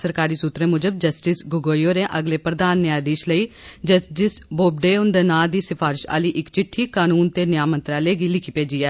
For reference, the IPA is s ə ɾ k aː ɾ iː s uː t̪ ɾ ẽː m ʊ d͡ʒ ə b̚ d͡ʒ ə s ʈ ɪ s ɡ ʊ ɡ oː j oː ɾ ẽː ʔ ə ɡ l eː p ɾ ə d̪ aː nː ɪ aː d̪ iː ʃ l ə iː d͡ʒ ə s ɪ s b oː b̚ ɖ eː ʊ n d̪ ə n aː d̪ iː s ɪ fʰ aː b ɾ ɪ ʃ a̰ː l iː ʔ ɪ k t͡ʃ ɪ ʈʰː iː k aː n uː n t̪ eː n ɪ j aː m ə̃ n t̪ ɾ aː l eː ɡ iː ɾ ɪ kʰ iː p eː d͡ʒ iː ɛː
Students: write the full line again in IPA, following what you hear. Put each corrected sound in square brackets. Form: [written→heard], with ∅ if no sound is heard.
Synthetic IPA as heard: s ə ɾ k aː ɾ iː s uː t̪ ɾ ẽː m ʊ d͡ʒ ə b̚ d͡ʒ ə s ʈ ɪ s ɡ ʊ ɡ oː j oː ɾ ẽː ʔ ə ɡ l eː p ɾ ə d̪ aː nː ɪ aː d̪ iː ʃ l ə iː d͡ʒ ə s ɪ s b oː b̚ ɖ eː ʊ n d̪ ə n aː d̪ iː s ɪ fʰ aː [b→∅] ɾ ɪ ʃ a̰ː l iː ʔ ɪ k t͡ʃ ɪ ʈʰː iː k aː n uː n t̪ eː n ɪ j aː m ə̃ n t̪ ɾ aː l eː ɡ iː [ɾ→l] ɪ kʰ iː p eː d͡ʒ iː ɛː